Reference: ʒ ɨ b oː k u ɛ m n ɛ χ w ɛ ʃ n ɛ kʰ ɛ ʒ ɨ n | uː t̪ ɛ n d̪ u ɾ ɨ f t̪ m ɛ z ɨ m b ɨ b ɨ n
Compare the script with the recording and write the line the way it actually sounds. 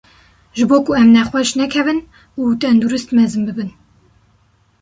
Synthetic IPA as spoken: ʒ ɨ b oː k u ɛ m n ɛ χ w ɛ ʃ n ɛ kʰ ɛ v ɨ n | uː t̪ ɛ n d̪ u ɾ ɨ s t̪ m ɛ z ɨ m b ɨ b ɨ n